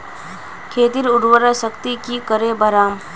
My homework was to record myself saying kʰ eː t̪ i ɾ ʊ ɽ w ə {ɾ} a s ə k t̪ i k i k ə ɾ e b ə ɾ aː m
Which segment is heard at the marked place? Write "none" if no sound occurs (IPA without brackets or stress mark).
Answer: ɾ